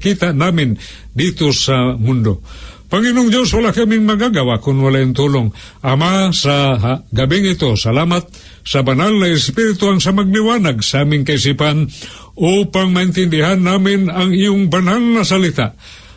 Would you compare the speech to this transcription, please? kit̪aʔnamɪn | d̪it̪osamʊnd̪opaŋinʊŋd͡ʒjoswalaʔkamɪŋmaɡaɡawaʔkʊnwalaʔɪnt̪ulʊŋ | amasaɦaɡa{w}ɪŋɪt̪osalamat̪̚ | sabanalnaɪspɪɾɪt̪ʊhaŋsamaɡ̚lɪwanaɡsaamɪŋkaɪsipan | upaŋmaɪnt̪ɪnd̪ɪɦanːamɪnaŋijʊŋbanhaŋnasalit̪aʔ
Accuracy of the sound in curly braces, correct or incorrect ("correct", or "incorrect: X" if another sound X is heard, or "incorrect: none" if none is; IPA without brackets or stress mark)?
incorrect: b